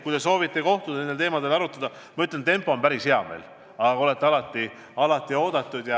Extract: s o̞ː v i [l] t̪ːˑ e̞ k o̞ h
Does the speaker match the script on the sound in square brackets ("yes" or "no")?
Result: no